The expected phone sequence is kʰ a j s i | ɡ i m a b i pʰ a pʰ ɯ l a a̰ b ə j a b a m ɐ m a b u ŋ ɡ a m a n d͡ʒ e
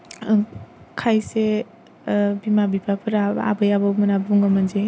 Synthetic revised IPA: kʰ a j s e | b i m a b i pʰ a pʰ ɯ ɾ a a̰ b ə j a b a m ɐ n a b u ŋ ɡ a m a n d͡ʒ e